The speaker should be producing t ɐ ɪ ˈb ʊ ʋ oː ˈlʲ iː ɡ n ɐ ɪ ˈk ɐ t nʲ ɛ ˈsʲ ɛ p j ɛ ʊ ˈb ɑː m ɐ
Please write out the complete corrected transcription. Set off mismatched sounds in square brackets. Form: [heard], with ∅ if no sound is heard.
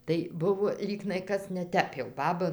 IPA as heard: t ɐ ɪ ˈb ʊ ʋ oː ˈlʲ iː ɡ n ɐ ɪ ˈk ɐ [s] nʲ ɛ [ˈtʲ] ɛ p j ɛ ʊ ˈb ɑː [b] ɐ